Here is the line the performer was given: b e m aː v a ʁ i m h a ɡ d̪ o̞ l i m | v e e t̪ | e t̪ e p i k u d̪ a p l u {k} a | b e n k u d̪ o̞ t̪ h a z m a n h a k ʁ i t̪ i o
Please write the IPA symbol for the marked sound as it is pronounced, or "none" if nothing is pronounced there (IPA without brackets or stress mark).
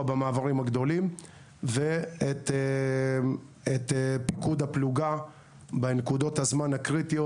ɡ